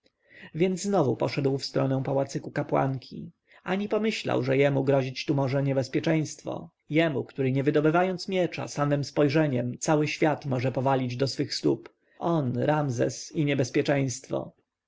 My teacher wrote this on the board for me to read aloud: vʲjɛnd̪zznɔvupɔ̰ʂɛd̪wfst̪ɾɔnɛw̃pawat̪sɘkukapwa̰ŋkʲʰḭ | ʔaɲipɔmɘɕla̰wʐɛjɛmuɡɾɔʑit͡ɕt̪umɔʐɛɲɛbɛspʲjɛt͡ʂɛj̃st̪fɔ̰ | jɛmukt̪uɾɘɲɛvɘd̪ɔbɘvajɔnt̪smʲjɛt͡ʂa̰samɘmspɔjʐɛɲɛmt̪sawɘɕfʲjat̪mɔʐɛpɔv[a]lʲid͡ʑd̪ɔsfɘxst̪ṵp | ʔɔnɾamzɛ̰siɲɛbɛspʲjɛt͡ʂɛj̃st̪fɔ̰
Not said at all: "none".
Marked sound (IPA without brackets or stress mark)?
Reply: a